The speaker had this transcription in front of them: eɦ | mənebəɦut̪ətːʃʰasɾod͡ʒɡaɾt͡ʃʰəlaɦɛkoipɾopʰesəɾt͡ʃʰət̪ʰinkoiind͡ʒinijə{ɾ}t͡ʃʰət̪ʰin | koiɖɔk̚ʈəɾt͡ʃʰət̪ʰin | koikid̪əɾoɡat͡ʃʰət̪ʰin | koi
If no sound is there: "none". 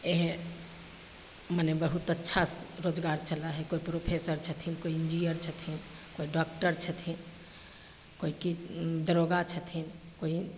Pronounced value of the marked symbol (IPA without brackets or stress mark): ɾ